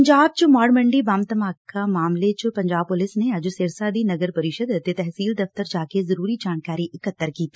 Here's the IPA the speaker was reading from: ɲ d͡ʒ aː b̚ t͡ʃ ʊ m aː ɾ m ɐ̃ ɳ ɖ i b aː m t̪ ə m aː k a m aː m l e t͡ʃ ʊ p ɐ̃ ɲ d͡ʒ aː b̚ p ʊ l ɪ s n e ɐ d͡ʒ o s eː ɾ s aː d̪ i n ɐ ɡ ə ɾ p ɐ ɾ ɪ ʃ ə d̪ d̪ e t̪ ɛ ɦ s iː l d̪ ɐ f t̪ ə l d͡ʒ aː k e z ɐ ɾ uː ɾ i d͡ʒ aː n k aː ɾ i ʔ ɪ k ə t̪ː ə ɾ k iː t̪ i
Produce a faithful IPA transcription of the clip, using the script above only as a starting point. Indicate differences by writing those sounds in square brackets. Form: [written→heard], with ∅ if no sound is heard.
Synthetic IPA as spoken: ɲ d͡ʒ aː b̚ t͡ʃ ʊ m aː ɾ m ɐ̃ ɳ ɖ i b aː m t̪ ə m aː k a m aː m l e t͡ʃ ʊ p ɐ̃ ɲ d͡ʒ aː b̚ p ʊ l ɪ s n e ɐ d͡ʒ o s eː ɾ s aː d̪ i n ɐ ɡ ə ɾ p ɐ ɾ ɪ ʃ ə d̪ [d̪→t̪] e t̪ ɛ ɦ s iː l d̪ ɐ f t̪ ə [l→ɾ] d͡ʒ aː k e z ɐ ɾ uː ɾ i d͡ʒ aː n k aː ɾ i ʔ ɪ k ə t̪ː ə ɾ k iː t̪ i

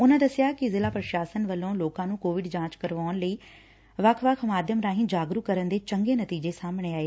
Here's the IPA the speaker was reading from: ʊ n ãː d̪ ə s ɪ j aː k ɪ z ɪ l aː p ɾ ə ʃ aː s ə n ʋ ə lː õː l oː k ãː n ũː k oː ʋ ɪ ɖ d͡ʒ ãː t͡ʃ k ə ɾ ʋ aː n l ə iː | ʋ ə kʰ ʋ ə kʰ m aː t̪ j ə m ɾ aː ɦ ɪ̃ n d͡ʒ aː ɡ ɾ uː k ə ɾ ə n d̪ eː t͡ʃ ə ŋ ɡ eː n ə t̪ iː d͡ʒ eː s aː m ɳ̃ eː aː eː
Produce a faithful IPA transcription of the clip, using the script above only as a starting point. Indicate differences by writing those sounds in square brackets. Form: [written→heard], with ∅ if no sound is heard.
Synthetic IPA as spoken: ʊ n ãː d̪ ə s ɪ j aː k ɪ z ɪ l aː p ɾ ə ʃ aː s ə n ʋ ə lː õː l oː k ãː n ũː k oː ʋ ɪ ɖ d͡ʒ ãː t͡ʃ k ə ɾ ʋ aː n l ə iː | ʋ ə kʰ ʋ ə kʰ m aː [t̪→d̪] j ə m ɾ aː ɦ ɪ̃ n d͡ʒ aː ɡ ɾ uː k ə ɾ ə n d̪ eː t͡ʃ ə ŋ ɡ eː n ə t̪ iː d͡ʒ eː s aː m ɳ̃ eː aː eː

